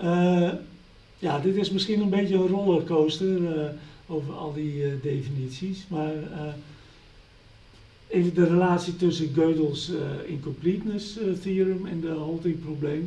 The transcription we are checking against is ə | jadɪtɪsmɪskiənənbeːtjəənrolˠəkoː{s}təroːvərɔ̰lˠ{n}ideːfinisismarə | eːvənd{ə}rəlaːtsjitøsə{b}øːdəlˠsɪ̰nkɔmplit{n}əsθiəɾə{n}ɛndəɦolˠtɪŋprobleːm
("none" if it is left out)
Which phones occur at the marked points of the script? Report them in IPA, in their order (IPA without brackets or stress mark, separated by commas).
s, d, ə, ɡ, n, m